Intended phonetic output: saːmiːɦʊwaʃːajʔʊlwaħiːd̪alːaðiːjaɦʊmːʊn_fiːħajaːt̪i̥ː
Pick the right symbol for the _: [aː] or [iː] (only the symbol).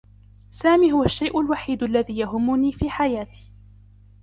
iː